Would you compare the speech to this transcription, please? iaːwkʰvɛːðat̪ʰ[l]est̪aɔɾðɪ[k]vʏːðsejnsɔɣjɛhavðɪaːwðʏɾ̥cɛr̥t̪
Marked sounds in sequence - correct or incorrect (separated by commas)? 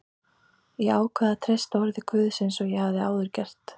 incorrect, incorrect